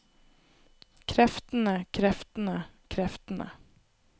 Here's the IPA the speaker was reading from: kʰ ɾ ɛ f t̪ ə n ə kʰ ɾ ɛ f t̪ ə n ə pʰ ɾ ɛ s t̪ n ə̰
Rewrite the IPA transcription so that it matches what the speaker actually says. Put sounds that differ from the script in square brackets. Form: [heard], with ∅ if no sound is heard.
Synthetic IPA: kʰ ɾ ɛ f t̪ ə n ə kʰ ɾ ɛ f t̪ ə n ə [kʰ] ɾ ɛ [f] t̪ n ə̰

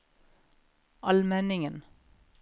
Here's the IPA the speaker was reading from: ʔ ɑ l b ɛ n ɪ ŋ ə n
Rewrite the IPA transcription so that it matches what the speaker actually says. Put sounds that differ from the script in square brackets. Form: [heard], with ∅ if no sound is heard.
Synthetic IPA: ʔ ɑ l [m] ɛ n ɪ ŋ ə n

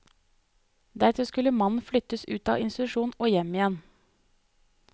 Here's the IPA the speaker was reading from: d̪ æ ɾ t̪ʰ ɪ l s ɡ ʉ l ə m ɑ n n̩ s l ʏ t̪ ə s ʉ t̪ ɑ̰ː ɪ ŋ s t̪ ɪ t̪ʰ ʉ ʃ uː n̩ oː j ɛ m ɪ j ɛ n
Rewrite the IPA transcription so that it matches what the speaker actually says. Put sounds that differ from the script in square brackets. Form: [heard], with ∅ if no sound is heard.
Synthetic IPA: d̪ æ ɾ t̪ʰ ɪ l s [k] ʉ l ə m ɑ n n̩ [f] l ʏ t̪ ə s [ʉː] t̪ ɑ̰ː ɪ [n] s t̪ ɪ [t̪] ʉ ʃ uː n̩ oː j ɛ m ɪ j ɛ n

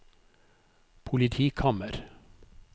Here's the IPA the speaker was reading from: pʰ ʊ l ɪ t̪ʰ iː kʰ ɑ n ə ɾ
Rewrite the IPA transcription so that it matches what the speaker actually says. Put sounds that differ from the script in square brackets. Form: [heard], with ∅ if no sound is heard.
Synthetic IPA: pʰ ʊ l ɪ t̪ʰ iː kʰ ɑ [m] ə ɾ

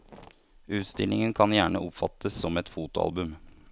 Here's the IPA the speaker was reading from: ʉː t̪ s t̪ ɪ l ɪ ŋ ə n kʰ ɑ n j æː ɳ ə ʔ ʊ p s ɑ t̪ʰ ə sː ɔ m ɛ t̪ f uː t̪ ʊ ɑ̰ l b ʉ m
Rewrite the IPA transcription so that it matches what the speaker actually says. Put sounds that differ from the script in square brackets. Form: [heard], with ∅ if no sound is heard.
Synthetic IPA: ʉː t̪ s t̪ ɪ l ɪ ŋ ə n kʰ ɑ n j æː ɳ ə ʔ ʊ p [f] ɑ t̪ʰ ə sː ɔ m ɛ t̪ f uː t̪ ʊ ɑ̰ l b ʉ m

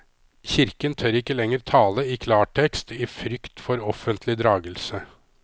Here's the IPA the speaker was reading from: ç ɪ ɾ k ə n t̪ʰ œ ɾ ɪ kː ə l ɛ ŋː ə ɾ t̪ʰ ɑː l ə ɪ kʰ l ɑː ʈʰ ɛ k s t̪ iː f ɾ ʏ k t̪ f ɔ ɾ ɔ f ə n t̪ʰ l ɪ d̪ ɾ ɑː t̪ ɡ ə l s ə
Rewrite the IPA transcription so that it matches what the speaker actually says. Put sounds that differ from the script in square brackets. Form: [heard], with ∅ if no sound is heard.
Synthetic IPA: ç ɪ ɾ k ə n t̪ʰ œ ɾ ɪ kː ə l ɛ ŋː ə ɾ t̪ʰ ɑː l ə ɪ kʰ l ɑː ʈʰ ɛ k s t̪ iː f ɾ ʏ k t̪ f ɔ ɾ ɔ f ə n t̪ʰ l ɪ d̪ ɾ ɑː [∅] ɡ ə l s ə

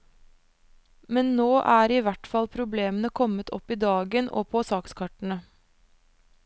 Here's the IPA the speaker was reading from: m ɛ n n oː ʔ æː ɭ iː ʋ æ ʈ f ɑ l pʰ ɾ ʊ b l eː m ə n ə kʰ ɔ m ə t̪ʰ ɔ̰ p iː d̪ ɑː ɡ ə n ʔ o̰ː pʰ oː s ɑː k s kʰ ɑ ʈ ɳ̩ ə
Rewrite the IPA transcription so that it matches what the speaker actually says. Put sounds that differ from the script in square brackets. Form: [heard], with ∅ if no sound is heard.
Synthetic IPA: m ɛ n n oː ʔ æː [ɾ] iː ʋ æ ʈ f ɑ l pʰ ɾ ʊ b l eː m ə n ə kʰ ɔ m ə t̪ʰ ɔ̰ p iː d̪ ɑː ɡ ə n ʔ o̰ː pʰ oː s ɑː k s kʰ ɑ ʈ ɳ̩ ə

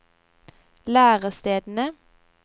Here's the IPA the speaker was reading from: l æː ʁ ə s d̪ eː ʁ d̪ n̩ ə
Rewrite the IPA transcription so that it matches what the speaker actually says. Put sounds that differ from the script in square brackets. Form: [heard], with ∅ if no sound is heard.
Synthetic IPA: l æː ʁ ə s [t̪] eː [∅] d̪ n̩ ə

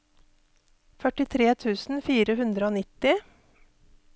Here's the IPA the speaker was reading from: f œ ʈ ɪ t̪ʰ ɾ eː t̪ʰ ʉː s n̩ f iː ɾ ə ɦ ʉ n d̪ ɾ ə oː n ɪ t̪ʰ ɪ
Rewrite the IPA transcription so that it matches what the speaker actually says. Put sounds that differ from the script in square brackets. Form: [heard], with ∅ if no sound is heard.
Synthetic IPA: f œ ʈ ɪ t̪ʰ ɾ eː t̪ʰ ʉː s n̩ f iː ɾ ə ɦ ʉ n d̪ ɾ ə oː n ɪ [t̪] ɪ

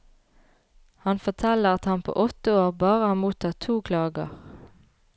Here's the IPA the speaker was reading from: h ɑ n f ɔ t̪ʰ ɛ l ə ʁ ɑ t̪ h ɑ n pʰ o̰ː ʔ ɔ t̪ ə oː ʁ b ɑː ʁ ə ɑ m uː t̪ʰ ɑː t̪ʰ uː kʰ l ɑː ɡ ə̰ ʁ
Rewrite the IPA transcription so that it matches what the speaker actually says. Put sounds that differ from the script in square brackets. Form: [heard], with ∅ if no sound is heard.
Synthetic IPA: h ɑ n f ɔ t̪ʰ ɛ l ə ʁ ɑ t̪ h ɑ n pʰ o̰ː ʔ ɔ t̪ ə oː ʁ b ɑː ʁ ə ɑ m uː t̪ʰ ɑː t̪ʰ uː kʰ l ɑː ɡ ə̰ ʁ

